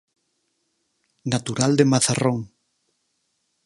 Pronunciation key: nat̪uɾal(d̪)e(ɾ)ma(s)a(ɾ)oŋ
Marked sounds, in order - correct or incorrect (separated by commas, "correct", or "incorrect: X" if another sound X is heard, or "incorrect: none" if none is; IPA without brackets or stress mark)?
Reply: correct, incorrect: none, incorrect: θ, incorrect: r